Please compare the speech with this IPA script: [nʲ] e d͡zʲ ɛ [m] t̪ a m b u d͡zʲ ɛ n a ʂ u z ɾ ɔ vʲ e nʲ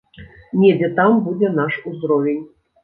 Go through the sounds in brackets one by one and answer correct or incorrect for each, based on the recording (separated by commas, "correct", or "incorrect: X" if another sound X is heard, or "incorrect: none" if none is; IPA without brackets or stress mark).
correct, incorrect: none